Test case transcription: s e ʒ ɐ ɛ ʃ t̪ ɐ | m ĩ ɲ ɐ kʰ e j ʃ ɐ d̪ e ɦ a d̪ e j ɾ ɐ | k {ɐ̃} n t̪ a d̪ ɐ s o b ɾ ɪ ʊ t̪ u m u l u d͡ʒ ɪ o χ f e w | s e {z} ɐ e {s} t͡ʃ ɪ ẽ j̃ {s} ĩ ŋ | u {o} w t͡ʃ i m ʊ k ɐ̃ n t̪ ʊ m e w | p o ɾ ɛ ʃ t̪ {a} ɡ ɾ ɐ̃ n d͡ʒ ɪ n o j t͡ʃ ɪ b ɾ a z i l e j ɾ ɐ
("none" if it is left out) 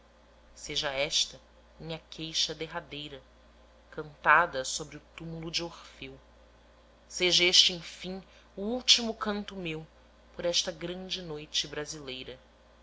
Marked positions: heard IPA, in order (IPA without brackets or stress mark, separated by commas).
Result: ɐ̃, ʒ, ʃ, f, u, ɐ